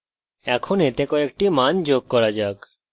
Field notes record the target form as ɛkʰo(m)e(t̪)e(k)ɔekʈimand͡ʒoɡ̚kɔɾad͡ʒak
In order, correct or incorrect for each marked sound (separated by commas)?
incorrect, correct, correct